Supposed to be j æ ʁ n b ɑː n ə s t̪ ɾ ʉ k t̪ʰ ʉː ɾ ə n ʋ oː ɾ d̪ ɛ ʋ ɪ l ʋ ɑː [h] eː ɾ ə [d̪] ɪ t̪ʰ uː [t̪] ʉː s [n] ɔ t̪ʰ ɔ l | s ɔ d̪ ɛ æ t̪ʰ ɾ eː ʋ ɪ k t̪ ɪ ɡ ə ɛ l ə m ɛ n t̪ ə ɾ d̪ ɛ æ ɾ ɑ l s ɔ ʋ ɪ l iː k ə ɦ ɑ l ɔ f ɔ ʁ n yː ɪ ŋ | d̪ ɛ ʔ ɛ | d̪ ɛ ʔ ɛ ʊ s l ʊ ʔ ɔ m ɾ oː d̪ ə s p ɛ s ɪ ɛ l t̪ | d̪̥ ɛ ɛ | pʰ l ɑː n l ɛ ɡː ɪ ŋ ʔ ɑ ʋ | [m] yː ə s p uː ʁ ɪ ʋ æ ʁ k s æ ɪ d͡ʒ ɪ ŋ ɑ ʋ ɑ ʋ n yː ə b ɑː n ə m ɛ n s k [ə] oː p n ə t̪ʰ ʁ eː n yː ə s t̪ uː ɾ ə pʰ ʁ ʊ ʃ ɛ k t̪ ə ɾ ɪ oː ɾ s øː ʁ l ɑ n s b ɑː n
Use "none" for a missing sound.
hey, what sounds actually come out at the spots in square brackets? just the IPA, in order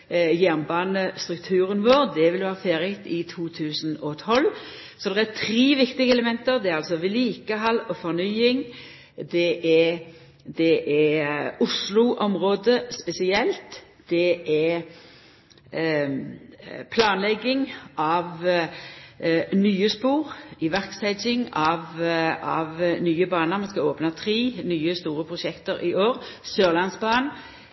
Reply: f, t̪, t̪ʰ, n, n, ɑ

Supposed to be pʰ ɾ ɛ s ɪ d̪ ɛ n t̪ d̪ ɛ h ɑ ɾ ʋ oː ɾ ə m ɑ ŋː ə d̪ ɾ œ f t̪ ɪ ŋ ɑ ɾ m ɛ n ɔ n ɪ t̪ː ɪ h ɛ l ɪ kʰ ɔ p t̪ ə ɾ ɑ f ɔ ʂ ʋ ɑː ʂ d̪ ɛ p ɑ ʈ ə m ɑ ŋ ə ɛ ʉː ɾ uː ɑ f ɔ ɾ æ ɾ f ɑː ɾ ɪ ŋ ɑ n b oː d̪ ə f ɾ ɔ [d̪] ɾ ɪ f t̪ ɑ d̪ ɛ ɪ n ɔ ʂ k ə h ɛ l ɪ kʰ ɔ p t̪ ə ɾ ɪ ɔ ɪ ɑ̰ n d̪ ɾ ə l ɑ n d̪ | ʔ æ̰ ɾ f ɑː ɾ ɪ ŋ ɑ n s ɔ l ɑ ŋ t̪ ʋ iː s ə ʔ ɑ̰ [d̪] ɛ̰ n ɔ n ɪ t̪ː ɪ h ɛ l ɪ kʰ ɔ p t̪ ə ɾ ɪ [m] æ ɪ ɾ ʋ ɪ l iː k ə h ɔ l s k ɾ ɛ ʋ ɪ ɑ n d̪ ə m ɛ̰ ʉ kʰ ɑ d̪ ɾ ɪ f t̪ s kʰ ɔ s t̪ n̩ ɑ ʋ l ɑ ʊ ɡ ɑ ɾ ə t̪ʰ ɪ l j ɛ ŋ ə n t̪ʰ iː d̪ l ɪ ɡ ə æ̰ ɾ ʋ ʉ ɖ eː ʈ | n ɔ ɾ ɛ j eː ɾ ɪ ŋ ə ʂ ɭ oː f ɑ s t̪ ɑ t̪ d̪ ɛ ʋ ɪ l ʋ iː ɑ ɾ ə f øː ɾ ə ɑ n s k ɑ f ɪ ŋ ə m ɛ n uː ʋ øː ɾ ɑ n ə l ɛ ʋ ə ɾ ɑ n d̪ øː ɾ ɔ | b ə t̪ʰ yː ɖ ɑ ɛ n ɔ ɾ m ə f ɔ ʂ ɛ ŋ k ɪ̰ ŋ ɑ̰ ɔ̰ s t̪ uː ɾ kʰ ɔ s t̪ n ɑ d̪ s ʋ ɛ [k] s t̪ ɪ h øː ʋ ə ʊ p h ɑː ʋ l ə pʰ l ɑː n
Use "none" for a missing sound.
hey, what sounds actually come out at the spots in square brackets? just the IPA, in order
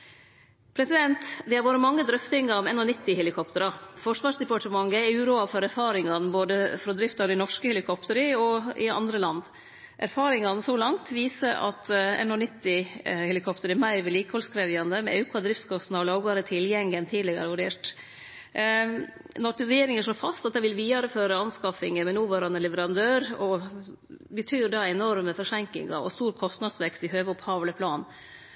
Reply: d̪, t̪, m, k

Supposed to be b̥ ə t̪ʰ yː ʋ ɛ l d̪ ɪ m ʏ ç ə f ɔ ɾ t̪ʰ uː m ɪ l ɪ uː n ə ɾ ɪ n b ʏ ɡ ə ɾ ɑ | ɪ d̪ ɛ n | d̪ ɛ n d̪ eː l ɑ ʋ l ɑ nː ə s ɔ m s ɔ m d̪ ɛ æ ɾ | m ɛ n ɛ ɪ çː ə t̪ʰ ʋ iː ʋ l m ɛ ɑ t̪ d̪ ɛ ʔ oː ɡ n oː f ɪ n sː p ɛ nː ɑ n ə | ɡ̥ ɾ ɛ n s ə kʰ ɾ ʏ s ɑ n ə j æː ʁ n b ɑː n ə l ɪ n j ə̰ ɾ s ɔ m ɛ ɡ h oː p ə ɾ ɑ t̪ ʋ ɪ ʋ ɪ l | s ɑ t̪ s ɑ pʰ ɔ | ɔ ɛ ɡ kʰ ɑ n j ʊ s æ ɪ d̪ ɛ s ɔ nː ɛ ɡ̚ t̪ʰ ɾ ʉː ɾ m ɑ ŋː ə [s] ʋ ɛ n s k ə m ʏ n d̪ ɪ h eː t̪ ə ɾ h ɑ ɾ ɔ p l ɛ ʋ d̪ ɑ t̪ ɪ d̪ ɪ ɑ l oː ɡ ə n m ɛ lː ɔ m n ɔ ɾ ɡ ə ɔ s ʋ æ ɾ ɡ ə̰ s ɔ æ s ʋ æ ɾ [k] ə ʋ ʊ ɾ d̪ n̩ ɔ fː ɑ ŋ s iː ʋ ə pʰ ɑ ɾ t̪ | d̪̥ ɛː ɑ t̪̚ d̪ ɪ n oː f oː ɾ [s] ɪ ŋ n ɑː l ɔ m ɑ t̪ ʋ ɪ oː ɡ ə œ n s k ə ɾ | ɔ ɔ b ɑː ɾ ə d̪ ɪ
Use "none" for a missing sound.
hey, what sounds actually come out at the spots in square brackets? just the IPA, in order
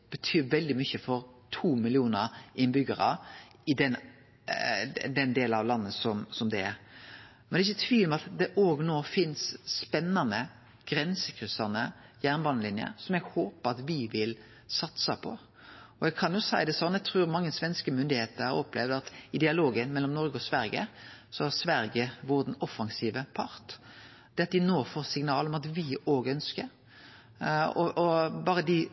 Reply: s, ɡ, s

